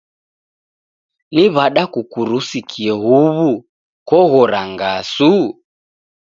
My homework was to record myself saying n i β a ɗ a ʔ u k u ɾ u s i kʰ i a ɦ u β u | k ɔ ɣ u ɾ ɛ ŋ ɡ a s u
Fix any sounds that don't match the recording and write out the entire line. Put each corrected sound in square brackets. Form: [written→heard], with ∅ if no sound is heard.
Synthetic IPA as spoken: n i β a ɗ a [ʔ→k] u k u ɾ u s i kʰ i [a→ɛ] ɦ u β u | k ɔ ɣ [u→ɔ] ɾ [ɛ→a] ŋ ɡ a s u